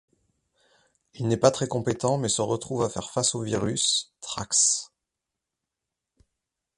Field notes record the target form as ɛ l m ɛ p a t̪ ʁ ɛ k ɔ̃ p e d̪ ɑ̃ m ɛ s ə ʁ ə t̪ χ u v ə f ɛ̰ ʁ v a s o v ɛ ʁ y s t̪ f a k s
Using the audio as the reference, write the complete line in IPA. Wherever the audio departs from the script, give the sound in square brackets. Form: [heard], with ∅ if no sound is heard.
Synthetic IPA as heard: [i] l [n] ɛ p a t̪ [χ] ɛ k ɔ̃ p e [t̪] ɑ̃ m ɛ s ə ʁ ə t̪ χ u v [a] f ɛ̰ ʁ [f] a s o v [i] ʁ y s t̪ [χ] a k s